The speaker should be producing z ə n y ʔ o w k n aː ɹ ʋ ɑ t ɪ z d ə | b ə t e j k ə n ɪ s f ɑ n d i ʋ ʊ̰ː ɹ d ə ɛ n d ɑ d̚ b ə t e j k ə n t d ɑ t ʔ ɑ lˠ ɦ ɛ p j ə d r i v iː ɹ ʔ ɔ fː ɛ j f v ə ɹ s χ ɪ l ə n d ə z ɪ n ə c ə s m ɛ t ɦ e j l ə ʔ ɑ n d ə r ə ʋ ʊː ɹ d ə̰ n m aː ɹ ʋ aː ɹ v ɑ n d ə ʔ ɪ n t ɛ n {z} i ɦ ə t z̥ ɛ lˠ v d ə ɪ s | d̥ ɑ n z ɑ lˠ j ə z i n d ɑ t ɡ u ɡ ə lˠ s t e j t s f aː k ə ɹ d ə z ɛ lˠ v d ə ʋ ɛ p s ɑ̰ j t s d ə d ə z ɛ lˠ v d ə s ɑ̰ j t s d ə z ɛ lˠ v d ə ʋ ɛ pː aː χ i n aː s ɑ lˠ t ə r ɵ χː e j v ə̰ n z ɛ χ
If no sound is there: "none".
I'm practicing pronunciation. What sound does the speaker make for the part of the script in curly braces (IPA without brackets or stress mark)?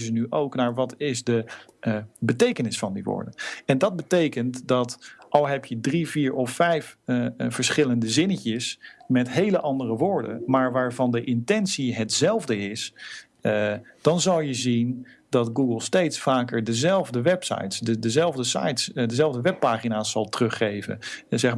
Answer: s